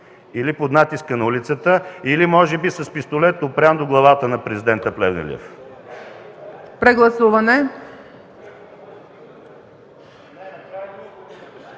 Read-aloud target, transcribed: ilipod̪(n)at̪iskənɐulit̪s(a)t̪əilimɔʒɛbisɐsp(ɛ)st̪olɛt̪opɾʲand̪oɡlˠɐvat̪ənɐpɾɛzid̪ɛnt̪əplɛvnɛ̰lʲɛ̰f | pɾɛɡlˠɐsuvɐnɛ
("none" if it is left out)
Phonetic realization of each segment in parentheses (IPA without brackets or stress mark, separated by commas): n, ə, i